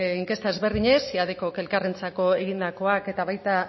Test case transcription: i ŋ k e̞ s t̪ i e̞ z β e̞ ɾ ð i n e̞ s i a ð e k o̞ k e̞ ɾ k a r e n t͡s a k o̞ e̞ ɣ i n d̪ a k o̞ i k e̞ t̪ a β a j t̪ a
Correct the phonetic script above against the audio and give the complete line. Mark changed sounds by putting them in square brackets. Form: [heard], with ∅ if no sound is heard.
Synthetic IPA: i ŋ k e̞ s t̪ [a] e̞ z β e̞ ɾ ð i [ɲ] e̞ s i a ð e k o̞ k e̞ [l] k a r e n t͡s a k o̞ e̞ ɣ i n d̪ a k o̞ [a] k e̞ t̪ a β a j t̪ a